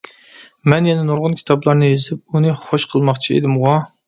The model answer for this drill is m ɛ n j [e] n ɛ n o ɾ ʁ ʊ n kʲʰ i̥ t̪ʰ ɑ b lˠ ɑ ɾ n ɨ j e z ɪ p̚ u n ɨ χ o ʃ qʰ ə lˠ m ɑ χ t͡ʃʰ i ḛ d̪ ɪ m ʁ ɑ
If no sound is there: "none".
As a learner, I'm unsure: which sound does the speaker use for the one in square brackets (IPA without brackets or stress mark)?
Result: ɛ